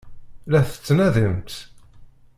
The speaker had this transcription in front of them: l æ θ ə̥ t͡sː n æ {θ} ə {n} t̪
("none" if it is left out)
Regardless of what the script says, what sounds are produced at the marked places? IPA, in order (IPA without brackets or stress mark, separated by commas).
ð, m